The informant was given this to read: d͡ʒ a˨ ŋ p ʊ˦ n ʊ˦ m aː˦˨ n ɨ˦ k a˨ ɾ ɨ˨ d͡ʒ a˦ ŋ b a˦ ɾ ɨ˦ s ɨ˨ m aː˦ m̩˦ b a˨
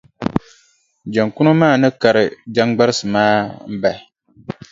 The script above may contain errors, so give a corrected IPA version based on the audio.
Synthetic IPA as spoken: d͡ʒ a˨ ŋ k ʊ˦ n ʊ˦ m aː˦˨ n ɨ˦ k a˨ ɾ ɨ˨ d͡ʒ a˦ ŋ ɡ͡b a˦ ɾ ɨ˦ s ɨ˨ m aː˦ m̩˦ b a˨